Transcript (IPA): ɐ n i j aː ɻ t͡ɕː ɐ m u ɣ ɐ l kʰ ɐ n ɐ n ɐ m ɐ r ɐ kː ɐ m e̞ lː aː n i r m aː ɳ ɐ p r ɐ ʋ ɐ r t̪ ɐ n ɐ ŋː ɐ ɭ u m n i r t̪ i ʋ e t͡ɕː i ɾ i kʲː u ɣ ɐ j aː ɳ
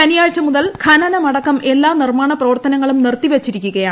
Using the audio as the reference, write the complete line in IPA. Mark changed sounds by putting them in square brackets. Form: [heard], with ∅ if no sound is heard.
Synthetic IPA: ɐ n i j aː ɻ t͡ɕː ɐ m u [ð] ɐ l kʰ ɐ n ɐ n ɐ m ɐ [ɽ] ɐ kː ɐ m e̞ lː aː n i r m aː ɳ ɐ p r ɐ ʋ ɐ r t̪ ɐ n ɐ ŋː ɐ ɭ u m n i r t̪ i ʋ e t͡ɕː i ɾ i kʲː u ɣ ɐ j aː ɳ